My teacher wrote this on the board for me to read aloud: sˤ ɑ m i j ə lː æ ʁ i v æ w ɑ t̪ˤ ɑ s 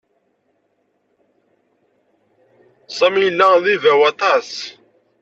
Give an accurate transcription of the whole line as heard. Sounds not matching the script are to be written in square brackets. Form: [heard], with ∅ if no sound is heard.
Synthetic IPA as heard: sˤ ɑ m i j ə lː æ [ð] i v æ w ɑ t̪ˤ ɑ s